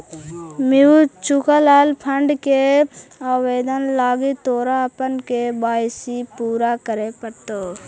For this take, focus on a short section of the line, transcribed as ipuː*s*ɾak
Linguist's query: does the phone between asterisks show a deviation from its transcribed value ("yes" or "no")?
yes